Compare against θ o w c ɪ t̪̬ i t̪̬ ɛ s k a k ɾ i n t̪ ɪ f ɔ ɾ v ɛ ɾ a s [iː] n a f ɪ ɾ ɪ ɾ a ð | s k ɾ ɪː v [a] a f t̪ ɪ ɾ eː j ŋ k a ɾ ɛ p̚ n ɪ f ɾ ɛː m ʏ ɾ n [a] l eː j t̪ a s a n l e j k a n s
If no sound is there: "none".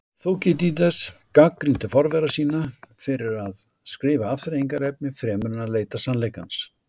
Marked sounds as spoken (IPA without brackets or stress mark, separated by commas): iː, a, a